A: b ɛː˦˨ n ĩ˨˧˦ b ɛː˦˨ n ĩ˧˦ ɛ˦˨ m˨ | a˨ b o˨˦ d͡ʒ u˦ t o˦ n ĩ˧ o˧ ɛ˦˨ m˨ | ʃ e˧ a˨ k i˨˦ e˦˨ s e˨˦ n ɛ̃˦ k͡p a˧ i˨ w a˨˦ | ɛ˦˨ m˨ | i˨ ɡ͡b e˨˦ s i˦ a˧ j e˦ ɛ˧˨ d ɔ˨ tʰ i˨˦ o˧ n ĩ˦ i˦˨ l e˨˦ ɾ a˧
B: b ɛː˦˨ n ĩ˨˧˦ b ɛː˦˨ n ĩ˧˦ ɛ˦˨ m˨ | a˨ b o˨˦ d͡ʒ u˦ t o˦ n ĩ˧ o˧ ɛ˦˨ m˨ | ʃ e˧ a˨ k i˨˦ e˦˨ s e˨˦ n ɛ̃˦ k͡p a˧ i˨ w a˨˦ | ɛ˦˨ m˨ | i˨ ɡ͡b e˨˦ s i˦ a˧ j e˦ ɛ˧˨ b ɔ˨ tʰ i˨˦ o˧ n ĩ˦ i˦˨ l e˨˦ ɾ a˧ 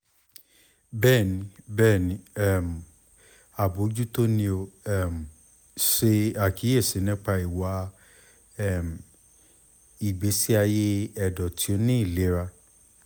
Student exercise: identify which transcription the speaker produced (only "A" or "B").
A